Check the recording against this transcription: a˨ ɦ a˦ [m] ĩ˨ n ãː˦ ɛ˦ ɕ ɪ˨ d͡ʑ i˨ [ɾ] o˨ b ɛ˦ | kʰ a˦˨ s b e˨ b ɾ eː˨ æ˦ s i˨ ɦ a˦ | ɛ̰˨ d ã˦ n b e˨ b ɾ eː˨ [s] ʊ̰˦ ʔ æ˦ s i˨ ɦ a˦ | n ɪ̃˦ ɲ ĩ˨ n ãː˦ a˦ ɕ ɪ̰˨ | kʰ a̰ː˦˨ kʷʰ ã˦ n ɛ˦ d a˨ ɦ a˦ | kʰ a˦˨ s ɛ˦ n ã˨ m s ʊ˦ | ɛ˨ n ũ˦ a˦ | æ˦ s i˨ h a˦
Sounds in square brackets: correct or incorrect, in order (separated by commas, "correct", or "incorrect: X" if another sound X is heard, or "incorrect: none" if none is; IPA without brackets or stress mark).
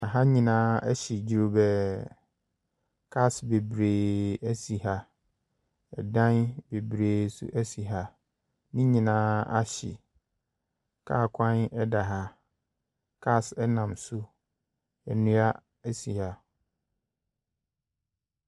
incorrect: ɲ, correct, correct